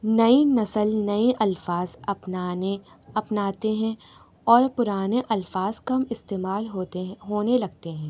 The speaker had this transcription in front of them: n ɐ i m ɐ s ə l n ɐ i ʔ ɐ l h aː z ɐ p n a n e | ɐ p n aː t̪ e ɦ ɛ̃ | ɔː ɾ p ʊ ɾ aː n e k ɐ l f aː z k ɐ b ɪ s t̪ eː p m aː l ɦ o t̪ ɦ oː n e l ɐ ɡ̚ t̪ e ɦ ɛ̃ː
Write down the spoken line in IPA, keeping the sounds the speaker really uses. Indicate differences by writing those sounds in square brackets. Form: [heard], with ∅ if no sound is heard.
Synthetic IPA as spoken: n ɐ i [n] ɐ s ə l n ɐ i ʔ ɐ l [f] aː z ɐ p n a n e | ɐ p n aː t̪ e ɦ ɛ̃ | ɔː ɾ p ʊ ɾ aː n e [ʔ] ɐ l f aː z k ɐ [m] ɪ s t̪ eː [∅] m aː l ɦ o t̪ ɦ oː n e l ɐ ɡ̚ t̪ e ɦ ɛ̃ː